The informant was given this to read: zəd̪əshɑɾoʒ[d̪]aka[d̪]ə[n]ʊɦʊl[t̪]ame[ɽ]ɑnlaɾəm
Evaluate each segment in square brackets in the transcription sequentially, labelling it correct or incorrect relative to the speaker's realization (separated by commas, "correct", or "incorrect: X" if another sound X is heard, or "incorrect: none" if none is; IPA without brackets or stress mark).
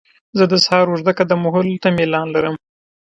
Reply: correct, correct, incorrect: m, correct, incorrect: l